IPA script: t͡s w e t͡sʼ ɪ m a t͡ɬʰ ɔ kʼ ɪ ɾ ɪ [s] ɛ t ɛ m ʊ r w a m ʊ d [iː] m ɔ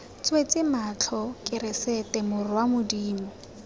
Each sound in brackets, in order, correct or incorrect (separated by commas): correct, correct